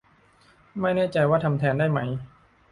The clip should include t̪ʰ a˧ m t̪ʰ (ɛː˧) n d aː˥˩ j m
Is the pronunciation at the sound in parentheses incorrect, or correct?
correct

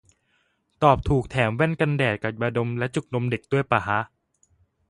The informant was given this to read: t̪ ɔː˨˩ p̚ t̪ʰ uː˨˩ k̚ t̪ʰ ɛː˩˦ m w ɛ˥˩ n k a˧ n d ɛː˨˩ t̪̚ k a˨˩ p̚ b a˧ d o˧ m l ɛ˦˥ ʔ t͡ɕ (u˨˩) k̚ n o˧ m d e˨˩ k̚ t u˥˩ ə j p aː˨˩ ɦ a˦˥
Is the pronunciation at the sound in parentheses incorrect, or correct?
correct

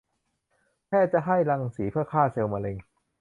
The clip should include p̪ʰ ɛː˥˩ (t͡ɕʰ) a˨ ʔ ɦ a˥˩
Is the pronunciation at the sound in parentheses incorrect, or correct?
incorrect: t͡ɕ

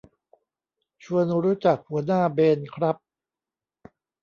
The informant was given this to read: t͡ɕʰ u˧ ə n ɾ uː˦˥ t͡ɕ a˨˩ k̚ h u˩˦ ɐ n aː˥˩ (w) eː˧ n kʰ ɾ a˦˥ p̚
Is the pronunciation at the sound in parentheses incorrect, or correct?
incorrect: b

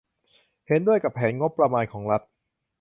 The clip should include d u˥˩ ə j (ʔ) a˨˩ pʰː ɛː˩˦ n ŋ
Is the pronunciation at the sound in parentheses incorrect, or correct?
incorrect: k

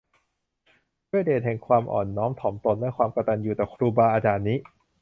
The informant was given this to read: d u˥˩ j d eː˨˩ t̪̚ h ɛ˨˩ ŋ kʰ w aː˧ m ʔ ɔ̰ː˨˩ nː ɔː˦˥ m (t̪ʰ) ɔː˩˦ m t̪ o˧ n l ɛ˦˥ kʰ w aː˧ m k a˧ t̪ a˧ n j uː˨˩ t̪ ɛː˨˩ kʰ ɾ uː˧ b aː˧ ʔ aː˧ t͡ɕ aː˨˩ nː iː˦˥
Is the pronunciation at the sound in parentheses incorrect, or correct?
correct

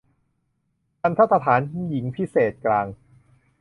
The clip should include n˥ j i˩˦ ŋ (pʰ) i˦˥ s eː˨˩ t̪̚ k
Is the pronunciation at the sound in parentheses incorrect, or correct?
correct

